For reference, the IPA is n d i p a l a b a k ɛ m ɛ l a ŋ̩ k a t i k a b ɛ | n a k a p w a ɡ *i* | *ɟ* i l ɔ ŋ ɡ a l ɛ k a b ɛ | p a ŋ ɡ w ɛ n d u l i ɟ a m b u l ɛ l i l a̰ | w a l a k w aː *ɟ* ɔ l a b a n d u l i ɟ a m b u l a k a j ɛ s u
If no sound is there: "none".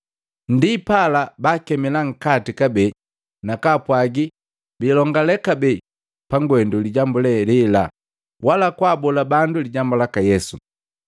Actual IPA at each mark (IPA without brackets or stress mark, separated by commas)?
i, b, b